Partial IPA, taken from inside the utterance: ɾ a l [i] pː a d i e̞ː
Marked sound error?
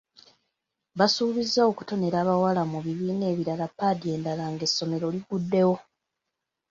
yes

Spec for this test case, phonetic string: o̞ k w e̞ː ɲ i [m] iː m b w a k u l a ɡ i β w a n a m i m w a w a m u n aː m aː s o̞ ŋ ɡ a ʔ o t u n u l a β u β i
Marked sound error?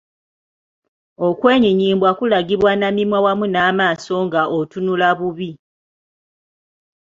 yes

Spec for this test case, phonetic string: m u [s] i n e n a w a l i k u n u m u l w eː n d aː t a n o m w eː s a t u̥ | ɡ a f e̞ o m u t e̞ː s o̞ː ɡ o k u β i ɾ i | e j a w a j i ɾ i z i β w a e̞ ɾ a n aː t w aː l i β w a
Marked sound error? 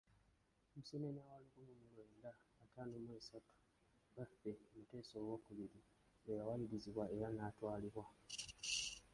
no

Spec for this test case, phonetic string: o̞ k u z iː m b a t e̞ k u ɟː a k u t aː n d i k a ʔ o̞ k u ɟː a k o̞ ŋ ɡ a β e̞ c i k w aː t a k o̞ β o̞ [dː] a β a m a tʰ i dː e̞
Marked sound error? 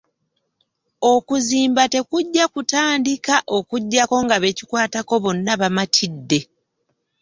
yes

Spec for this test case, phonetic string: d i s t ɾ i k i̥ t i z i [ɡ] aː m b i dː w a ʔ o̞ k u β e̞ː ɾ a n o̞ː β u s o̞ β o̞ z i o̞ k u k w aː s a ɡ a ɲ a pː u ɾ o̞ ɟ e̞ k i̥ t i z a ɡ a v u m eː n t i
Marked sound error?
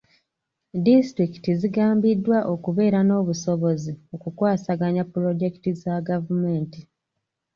no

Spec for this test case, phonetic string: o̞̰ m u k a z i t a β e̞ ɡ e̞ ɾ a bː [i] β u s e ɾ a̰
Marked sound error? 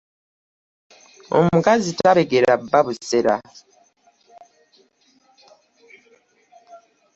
yes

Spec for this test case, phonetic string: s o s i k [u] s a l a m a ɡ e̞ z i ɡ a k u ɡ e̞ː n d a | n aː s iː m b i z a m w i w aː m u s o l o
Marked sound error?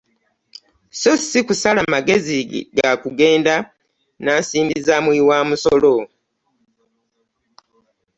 no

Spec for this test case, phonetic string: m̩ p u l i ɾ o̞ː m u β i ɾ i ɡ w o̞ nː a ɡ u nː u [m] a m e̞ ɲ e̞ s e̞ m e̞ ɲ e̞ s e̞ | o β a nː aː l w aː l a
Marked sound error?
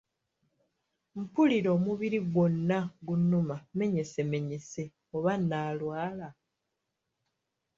no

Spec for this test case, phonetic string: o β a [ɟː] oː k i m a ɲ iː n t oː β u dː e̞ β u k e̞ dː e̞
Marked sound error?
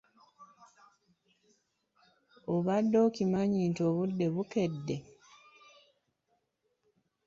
yes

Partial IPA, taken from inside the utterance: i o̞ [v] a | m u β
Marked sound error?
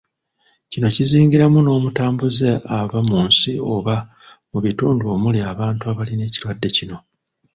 yes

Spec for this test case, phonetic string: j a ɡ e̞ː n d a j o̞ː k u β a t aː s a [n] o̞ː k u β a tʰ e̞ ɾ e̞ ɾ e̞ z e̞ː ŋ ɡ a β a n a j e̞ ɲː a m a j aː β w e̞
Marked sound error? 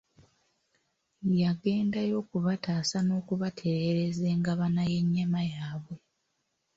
no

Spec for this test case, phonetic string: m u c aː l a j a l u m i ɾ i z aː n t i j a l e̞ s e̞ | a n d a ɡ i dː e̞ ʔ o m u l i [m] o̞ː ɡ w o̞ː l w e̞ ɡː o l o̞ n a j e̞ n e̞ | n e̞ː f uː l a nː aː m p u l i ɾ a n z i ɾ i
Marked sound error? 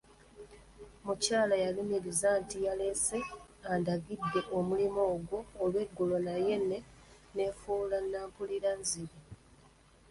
no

